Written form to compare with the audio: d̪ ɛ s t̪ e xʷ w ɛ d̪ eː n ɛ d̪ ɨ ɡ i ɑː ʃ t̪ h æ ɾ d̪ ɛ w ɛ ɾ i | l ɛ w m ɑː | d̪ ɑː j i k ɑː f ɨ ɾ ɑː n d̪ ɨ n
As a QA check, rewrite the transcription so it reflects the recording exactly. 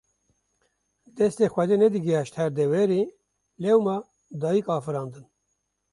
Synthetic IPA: d̪ ɛ s t̪ e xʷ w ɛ d̪ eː n ɛ d̪ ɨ ɡ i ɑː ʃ t̪ h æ ɾ d̪ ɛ w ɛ ɾ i | l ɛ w m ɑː | d̪ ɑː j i k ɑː f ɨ ɾ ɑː n d̪ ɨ n